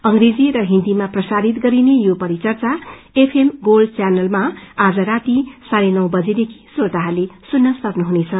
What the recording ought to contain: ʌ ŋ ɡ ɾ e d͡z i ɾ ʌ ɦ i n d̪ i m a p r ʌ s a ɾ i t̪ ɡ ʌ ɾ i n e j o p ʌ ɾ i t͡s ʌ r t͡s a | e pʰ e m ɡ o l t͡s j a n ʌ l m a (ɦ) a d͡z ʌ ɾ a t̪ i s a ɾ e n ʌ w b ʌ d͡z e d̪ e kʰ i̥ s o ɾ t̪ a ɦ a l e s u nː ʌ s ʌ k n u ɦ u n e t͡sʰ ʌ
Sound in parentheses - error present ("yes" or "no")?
yes